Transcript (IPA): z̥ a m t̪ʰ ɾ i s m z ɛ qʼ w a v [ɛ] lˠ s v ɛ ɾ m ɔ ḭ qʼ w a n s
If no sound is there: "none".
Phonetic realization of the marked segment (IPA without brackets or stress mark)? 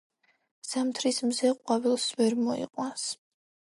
i